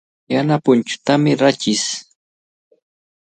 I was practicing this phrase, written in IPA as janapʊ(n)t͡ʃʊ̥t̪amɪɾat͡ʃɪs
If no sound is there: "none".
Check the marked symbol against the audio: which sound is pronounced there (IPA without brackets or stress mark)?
n